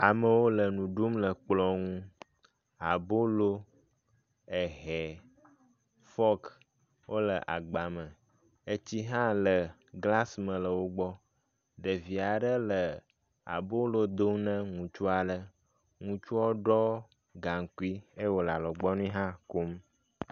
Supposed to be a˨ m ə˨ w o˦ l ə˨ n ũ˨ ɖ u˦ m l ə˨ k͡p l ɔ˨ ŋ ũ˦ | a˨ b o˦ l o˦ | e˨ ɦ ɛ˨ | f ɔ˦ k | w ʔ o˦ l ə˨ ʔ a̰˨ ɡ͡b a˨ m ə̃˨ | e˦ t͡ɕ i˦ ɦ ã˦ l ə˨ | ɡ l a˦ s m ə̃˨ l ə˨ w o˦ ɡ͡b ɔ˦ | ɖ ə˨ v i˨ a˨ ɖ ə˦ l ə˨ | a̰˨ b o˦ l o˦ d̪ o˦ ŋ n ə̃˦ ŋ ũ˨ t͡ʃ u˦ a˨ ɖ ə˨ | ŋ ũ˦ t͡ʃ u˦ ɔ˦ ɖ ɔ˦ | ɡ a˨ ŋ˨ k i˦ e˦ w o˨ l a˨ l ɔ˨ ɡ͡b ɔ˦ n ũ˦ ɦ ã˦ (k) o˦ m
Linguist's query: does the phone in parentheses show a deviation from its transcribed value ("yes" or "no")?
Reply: no